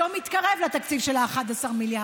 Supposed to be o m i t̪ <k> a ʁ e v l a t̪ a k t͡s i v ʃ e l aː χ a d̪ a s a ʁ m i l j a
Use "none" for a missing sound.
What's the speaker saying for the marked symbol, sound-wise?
k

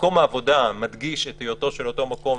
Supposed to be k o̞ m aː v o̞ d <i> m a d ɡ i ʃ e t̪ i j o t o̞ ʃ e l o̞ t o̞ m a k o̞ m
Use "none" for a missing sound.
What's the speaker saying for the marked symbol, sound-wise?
a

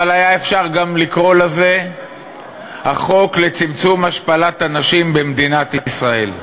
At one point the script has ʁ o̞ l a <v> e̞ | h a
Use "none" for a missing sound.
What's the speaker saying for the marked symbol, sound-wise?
z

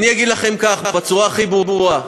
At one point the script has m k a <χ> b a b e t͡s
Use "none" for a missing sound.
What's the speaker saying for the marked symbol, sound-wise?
χ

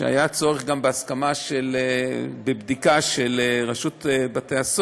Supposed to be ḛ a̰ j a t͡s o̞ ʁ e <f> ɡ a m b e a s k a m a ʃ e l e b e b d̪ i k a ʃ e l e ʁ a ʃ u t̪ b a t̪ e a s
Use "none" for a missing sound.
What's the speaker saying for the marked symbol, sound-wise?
χ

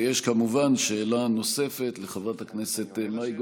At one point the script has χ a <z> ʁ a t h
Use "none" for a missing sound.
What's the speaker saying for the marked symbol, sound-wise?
v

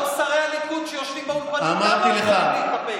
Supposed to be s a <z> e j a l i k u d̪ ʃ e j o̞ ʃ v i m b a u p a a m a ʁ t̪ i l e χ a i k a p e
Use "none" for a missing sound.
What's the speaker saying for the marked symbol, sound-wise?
ʁ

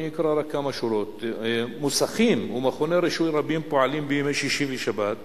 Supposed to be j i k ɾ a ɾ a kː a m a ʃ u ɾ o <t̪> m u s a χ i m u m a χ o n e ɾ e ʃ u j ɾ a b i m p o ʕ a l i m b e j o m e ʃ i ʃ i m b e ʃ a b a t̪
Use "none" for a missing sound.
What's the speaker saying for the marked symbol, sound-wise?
t̪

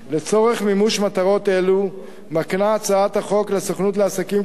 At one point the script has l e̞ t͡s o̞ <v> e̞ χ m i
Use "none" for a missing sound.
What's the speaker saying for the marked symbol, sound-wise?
ʁ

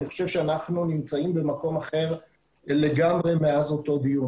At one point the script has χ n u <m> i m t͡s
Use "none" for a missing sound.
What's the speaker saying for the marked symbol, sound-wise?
n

